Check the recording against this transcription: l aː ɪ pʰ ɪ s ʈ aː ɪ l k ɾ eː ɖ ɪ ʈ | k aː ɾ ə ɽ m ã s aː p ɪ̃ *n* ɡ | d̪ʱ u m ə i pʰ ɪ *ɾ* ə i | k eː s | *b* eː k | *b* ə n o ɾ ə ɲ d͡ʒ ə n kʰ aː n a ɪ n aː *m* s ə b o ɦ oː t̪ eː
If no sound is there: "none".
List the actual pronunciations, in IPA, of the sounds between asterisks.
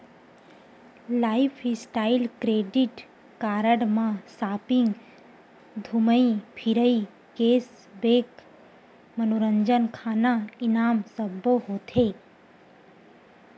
ŋ, ɾ, b, m, m

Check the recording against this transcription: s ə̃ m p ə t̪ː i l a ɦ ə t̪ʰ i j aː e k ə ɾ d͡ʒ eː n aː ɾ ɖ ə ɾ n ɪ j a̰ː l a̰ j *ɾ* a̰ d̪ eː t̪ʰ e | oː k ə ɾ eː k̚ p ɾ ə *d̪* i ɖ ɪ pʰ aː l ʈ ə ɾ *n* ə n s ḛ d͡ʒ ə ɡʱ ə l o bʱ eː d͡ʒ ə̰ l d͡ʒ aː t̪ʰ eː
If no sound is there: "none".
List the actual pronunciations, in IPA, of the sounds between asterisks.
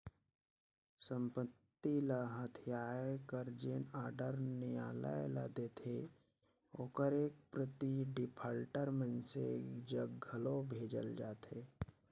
l, t̪, m

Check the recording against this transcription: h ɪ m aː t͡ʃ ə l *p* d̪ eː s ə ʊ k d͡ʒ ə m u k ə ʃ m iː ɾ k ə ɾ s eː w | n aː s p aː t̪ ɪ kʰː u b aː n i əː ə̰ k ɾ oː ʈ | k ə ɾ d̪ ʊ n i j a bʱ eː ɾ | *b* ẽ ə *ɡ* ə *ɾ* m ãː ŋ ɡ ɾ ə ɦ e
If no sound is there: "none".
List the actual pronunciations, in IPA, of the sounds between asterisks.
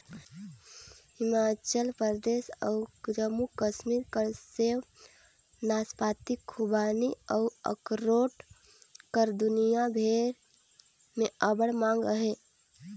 p, m, b, ɽ

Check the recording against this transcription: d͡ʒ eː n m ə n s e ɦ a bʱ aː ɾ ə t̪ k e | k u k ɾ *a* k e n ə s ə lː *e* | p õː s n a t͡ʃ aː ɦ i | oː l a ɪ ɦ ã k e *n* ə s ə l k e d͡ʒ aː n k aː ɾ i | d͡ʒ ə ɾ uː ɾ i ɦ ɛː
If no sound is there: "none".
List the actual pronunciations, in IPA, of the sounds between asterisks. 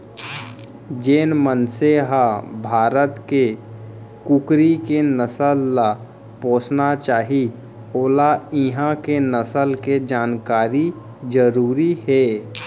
i, a, n

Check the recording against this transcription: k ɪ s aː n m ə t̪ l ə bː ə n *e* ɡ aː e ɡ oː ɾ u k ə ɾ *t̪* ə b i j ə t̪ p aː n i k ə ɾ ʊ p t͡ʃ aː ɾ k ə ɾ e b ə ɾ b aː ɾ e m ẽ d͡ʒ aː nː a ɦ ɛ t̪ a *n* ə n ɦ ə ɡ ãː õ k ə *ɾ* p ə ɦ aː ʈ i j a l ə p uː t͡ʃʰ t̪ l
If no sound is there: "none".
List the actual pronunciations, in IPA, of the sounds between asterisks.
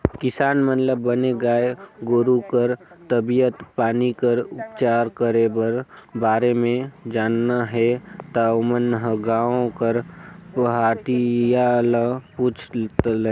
e, t̪, m, ɾ

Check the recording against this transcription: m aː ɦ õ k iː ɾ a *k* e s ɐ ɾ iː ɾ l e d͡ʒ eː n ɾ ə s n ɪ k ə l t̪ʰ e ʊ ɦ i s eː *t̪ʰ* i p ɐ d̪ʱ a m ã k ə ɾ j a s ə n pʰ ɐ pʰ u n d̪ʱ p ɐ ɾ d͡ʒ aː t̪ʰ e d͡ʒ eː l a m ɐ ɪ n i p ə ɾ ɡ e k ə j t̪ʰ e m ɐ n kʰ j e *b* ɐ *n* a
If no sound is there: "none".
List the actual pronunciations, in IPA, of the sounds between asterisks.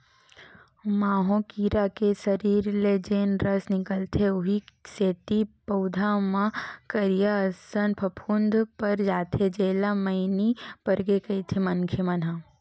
k, t̪, m, n

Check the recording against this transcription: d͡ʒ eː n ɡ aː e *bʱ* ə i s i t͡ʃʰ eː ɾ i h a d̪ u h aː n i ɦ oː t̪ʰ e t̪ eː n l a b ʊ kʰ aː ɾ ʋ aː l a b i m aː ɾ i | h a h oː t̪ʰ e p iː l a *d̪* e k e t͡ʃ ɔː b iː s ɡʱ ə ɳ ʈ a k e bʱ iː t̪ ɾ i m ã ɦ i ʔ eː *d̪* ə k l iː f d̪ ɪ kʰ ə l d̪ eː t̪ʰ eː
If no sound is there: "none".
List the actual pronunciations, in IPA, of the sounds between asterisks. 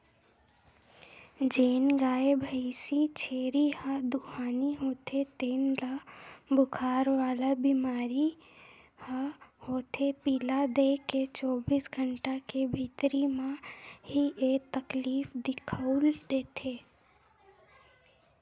bʱ, d̪, t̪

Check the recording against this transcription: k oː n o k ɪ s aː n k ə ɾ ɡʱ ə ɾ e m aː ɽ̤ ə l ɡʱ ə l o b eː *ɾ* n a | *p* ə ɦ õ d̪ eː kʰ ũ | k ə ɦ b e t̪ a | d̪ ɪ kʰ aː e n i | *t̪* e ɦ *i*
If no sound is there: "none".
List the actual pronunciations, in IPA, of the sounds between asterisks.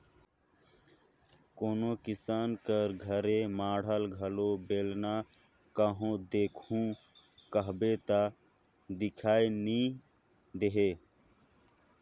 l, k, d̪, e

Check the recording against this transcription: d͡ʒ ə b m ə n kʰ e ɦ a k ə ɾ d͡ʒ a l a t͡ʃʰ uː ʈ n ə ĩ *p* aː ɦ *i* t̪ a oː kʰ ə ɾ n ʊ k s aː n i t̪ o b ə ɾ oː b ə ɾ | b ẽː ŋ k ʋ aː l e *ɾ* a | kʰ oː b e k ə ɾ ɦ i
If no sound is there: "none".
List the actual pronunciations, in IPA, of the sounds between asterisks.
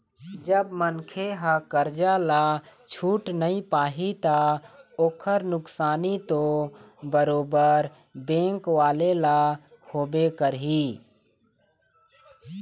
p, i, l

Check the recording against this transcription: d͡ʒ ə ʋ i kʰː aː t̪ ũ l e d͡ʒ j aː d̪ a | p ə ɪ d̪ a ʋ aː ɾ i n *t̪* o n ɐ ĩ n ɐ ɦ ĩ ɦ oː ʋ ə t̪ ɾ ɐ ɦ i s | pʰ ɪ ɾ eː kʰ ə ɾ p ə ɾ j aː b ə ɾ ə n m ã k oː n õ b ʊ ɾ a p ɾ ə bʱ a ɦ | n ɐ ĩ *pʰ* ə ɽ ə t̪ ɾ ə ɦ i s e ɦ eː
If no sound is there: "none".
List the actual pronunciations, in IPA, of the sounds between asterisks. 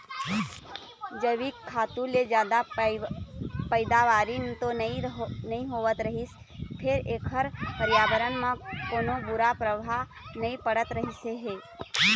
t̪, p

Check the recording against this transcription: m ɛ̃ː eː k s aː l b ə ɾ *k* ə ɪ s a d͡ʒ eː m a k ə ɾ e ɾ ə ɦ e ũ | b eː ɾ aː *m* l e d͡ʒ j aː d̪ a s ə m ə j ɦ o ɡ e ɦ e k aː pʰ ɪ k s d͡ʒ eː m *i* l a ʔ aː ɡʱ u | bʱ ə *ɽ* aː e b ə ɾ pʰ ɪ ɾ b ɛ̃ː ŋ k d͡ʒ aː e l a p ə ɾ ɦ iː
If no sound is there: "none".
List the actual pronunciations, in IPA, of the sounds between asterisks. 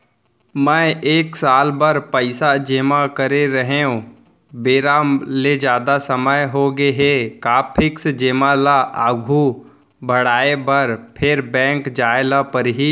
p, m, a, ɽ

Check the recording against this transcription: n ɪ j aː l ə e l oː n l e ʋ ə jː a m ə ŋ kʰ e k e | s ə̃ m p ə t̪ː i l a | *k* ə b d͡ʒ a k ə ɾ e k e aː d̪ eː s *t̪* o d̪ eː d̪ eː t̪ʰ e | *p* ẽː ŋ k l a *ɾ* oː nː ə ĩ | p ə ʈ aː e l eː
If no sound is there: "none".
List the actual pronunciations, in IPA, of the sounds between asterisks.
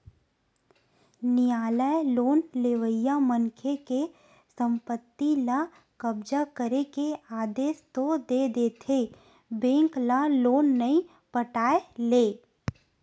k, t̪, b, l

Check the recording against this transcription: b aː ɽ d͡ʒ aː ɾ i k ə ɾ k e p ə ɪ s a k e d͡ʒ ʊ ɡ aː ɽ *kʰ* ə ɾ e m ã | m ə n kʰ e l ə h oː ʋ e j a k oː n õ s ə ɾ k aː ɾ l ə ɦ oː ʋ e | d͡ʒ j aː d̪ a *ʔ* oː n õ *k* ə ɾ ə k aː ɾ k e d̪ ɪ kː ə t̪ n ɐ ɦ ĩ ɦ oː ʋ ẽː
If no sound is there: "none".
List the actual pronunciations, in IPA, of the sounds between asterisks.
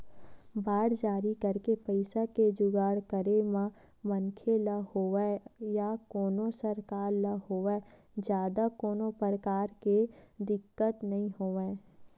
k, k, p

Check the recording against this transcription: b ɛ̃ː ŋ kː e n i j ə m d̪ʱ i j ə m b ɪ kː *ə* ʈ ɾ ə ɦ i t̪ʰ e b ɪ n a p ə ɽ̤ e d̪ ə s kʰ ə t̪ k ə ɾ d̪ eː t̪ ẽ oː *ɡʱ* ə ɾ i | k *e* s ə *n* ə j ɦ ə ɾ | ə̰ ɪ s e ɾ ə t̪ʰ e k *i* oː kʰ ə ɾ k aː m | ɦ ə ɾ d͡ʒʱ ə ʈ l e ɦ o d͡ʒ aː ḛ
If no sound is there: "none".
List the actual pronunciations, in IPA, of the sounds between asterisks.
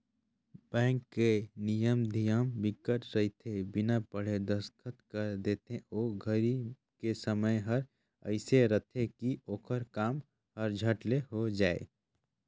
ə, ɡʱ, e, m, i

